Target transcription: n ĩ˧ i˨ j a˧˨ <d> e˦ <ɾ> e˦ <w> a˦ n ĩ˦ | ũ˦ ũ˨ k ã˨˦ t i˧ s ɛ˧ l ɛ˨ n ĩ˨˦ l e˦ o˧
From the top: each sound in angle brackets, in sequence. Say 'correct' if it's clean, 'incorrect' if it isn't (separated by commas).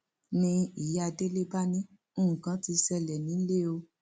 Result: correct, incorrect, incorrect